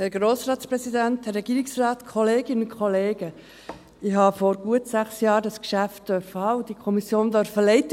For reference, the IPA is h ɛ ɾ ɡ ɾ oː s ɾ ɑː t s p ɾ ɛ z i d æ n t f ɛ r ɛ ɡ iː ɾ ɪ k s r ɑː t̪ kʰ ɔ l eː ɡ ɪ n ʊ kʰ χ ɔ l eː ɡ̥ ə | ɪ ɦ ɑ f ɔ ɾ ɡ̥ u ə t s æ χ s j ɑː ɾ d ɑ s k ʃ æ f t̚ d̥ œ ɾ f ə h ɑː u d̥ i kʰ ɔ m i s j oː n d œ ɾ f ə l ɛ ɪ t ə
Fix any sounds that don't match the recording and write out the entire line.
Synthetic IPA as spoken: h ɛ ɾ ɡ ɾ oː s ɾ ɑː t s p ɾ ɛ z i d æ n t h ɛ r ɛ ɡ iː ɾ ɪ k s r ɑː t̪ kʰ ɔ l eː ɡ ɪ n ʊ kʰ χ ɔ l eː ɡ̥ ə | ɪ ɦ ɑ f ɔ ɾ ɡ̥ u ə t s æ χ s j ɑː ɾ d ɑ s k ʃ æ f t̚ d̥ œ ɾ f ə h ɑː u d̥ i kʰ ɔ m i s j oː n d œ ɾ f ə l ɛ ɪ t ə